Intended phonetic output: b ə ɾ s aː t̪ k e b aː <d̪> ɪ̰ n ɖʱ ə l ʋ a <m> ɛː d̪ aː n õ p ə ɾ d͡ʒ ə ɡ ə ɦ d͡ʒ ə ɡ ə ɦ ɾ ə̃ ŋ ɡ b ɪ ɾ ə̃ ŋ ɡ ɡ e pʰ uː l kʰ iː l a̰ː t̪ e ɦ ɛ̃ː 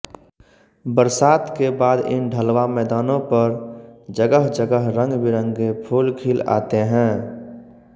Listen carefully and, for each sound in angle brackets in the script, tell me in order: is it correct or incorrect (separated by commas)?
correct, correct